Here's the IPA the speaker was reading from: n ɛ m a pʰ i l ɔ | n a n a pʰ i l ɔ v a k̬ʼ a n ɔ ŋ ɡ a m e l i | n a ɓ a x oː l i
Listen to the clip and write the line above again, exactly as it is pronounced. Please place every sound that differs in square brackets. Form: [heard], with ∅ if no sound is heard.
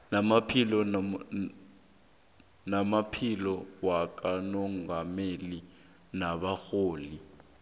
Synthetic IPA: n [a] m a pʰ i l ɔ | n a [m] a pʰ i l ɔ [w] a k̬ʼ a n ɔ ŋ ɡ a m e l i | n a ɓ a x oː l i

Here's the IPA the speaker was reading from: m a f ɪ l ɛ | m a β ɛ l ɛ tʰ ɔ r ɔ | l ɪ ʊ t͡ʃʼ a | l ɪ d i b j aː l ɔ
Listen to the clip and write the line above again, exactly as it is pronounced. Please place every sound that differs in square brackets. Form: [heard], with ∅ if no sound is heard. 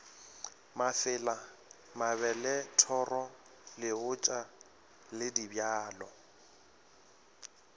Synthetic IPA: m a f ɪ l [a] | m a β ɛ l ɛ tʰ ɔ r ɔ | l ɪ ʊ t͡ʃʼ a | l ɪ d i b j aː l ɔ

